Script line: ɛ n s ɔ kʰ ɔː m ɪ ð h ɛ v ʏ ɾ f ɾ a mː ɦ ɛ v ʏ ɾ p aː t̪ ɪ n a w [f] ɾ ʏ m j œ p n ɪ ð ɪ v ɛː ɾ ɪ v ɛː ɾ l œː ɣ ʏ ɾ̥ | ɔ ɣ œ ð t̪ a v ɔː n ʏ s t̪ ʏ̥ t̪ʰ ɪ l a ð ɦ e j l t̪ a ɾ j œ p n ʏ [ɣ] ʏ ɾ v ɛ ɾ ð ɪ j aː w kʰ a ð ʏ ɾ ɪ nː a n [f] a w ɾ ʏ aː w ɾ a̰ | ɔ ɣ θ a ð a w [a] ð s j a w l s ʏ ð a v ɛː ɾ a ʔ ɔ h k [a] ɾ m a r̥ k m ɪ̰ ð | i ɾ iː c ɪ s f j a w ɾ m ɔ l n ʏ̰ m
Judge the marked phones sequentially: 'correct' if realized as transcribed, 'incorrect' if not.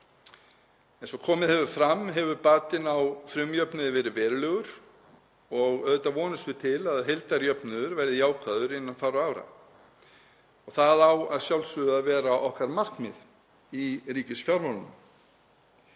correct, incorrect, correct, correct, correct

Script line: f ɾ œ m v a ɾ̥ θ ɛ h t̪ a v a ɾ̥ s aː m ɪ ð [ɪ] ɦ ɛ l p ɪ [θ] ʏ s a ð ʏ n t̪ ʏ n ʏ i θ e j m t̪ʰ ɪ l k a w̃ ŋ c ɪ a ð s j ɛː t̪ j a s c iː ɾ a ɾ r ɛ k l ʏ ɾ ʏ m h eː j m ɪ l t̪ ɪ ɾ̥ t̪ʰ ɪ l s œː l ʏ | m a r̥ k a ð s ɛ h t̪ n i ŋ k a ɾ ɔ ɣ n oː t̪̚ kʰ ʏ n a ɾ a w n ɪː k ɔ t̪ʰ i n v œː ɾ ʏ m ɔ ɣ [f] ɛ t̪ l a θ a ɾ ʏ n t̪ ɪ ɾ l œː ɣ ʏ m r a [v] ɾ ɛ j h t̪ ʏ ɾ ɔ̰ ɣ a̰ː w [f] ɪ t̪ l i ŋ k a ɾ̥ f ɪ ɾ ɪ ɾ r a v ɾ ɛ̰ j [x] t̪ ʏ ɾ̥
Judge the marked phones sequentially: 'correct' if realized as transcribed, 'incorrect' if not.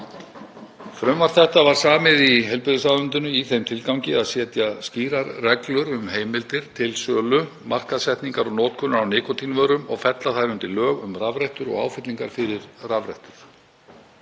incorrect, incorrect, correct, correct, correct, incorrect

